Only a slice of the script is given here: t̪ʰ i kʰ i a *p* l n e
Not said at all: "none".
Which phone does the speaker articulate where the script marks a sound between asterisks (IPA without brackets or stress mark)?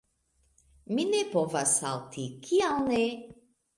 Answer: none